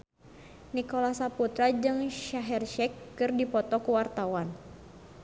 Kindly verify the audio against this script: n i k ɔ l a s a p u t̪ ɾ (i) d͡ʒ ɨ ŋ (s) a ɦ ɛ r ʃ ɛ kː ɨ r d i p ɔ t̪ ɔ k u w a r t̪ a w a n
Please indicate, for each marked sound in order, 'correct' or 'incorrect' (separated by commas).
incorrect, incorrect